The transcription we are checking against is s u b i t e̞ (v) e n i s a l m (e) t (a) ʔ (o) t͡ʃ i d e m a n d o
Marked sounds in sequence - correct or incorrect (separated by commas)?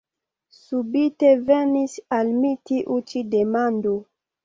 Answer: correct, incorrect, incorrect, incorrect